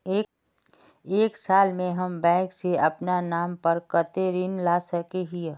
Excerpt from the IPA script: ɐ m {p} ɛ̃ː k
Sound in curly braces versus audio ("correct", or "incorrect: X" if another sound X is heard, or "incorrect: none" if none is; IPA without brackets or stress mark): incorrect: b